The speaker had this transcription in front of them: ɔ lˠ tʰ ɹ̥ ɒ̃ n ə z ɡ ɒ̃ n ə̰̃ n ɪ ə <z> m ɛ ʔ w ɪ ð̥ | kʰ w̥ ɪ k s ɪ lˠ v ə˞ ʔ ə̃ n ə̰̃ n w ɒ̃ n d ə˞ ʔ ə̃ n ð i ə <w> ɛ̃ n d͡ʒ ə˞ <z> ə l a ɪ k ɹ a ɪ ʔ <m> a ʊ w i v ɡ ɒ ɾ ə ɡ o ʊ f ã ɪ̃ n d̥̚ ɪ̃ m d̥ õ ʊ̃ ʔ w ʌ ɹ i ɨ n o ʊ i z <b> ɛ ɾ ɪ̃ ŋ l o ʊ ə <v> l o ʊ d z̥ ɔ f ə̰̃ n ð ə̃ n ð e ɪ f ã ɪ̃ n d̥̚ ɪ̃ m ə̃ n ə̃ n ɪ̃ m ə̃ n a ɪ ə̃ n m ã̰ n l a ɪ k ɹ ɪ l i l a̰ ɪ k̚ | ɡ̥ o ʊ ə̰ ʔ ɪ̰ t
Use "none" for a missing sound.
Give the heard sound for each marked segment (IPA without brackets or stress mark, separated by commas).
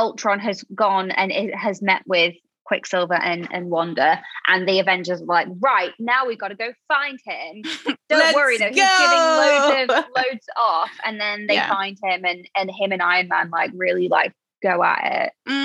z, v, z, n, ɡ, v